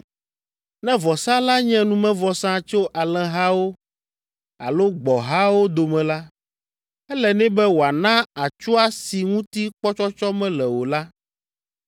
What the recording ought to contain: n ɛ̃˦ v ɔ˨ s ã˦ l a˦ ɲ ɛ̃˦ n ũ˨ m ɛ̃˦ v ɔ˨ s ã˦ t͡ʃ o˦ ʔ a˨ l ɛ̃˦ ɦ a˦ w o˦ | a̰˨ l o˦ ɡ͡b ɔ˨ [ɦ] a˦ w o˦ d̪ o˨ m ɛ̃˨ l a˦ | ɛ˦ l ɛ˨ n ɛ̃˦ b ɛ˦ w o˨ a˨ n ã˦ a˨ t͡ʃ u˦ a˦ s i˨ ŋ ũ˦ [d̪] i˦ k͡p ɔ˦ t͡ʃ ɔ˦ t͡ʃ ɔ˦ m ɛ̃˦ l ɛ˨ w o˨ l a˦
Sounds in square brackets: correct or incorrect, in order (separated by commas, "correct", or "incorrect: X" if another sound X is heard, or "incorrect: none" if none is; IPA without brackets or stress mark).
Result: correct, incorrect: t̪